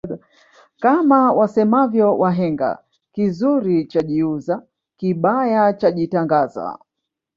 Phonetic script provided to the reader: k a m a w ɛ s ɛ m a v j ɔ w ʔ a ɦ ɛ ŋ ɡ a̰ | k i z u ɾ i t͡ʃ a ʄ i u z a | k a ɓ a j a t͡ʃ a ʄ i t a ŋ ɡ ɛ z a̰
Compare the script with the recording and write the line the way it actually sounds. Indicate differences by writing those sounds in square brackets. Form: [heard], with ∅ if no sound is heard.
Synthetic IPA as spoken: k a m a w [a] s ɛ m a v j ɔ w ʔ a ɦ ɛ ŋ ɡ a̰ | k i z u ɾ i t͡ʃ a ʄ i u z a | k [i] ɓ a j a t͡ʃ a ʄ i t a ŋ ɡ [a] z a̰